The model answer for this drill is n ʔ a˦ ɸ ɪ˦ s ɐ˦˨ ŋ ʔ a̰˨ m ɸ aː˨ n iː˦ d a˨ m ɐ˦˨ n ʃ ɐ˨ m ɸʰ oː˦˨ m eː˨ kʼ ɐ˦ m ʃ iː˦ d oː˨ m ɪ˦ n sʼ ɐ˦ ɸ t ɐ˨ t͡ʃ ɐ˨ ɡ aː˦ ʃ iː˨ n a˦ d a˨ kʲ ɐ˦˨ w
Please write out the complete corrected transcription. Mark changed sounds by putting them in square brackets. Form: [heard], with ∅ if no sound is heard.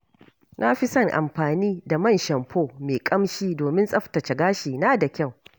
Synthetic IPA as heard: n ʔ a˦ ɸ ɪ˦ s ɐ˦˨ ŋ ʔ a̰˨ m ɸ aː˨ n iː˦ d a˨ m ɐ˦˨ n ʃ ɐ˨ m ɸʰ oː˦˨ m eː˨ kʼ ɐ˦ m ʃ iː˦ d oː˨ m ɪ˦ n sʼ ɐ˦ ɸ t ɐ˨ t͡ʃ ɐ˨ ɡ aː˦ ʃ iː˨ n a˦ d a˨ kʲ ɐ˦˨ w